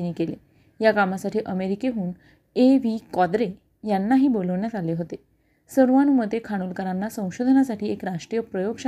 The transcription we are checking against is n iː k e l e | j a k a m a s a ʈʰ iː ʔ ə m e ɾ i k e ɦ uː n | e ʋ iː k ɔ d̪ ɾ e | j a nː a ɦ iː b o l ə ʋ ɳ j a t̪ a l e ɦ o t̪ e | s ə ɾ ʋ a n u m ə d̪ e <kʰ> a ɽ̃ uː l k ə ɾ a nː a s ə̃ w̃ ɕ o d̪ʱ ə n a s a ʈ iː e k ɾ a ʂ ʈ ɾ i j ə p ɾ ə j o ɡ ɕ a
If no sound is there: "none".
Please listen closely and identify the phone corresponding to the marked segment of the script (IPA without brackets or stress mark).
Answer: kʰ